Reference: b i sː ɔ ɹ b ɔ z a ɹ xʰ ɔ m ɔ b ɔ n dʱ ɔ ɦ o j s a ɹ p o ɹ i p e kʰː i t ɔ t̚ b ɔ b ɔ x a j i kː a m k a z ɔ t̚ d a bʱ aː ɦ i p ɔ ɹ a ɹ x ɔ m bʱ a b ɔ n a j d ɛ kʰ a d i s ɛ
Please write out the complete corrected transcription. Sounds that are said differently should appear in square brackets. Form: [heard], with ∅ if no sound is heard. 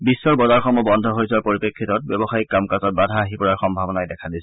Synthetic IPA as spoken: b i sː ɔ ɹ b ɔ z a ɹ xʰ ɔ m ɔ b ɔ n dʱ ɔ ɦ o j s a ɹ p o ɹ i p e kʰː i t ɔ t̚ b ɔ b ɔ x a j i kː a m k a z ɔ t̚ [b] a [dʱ] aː ɦ i p ɔ ɹ a ɹ x ɔ m bʱ a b ɔ n a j d ɛ kʰ a d i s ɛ

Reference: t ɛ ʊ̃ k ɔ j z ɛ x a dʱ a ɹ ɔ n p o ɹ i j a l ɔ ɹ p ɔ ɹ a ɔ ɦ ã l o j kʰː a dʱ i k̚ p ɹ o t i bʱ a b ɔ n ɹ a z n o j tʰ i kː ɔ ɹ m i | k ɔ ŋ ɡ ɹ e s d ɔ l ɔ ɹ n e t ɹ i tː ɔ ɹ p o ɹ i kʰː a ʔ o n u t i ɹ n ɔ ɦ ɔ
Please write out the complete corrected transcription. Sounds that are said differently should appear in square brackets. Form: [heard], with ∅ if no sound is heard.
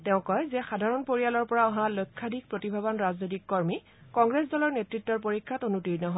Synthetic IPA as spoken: t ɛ ʊ̃ k ɔ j z ɛ x a dʱ a ɹ ɔ n p o ɹ i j a l ɔ ɹ p ɔ ɹ a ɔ ɦ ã l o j kʰː a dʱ i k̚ p ɹ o t i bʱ a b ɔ n ɹ a z n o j [t] i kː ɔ ɹ m i | k ɔ ŋ ɡ ɹ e s d ɔ l ɔ ɹ n e t ɹ i tː ɔ ɹ p o ɹ i kʰː a [t] o n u t i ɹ n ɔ ɦ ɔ

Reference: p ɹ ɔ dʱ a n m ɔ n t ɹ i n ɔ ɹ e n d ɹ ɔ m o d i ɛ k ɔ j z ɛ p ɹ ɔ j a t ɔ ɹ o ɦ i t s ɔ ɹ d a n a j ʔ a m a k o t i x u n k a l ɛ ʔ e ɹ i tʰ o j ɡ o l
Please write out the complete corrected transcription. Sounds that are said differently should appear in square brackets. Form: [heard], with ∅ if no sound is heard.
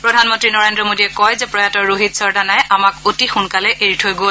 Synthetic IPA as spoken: p ɹ ɔ dʱ a n m ɔ n t ɹ i n ɔ ɹ e n d ɹ ɔ m o d i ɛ k ɔ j z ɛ p ɹ ɔ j a t ɔ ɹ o ɦ i t s ɔ ɹ d a n a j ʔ a m a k o t i x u n k a l ɛ ʔ e ɹ i tʰ o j ɡ o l

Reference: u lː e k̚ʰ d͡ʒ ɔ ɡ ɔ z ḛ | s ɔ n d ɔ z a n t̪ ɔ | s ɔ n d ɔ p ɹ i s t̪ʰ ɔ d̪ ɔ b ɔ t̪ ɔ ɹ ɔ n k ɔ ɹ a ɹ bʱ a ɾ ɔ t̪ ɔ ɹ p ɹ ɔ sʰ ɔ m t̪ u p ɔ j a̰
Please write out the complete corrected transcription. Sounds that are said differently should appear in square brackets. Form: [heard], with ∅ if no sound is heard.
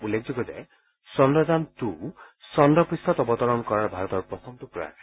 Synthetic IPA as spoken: u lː e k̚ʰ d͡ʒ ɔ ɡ ɔ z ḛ | s ɔ n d ɔ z a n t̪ [u] | s ɔ n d ɔ p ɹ i s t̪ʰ ɔ [t̪] ɔ b ɔ t̪ ɔ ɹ ɔ n k ɔ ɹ a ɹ bʱ a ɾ ɔ t̪ ɔ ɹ p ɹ ɔ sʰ ɔ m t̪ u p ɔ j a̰

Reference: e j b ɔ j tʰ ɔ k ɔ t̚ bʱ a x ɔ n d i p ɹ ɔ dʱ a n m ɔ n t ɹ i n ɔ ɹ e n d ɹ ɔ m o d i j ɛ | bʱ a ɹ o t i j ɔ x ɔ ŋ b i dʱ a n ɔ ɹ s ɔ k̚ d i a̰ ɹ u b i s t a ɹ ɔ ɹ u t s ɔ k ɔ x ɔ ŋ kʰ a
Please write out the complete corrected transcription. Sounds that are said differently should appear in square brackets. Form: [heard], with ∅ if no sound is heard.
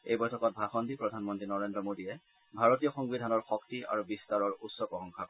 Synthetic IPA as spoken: e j b ɔ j tʰ ɔ k ɔ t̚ bʱ a x ɔ n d i p ɹ ɔ dʱ a n m ɔ n t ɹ i n ɔ ɹ e n d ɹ ɔ m o d i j ɛ | bʱ a ɹ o t i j ɔ x ɔ ŋ b i dʱ a n ɔ ɹ [x] ɔ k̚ [t] i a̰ ɹ u b i s t a ɹ ɔ ɹ u t s ɔ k ɔ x ɔ ŋ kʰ a

